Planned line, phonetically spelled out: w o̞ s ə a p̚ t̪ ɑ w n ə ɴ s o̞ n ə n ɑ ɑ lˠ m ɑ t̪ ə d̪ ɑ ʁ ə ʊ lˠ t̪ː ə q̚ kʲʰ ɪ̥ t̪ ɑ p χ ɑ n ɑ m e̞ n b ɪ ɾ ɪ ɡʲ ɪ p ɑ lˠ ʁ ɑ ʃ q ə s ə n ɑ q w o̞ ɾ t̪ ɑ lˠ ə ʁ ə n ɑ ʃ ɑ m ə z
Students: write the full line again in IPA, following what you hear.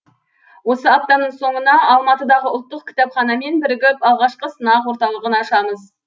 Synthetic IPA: w o̞ s ə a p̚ t̪ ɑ n ə ɴ s o̞ ɴ ə n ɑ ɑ lˠ m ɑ t̪ ə d̪ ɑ ʁ ə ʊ lˠ t̪ː ə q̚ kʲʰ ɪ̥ t̪ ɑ p χ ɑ n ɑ m e̞ n b ɪ ɾ ɪ ɡʲ ɪ p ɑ lˠ ʁ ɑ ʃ q ə s ə n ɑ q w o̞ ɾ t̪ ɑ lˠ ə ʁ ə n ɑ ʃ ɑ m ə z